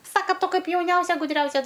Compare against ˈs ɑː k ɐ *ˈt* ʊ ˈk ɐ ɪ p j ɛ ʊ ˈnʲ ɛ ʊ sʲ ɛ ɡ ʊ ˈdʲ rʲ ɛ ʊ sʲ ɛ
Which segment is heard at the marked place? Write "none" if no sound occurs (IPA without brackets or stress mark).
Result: t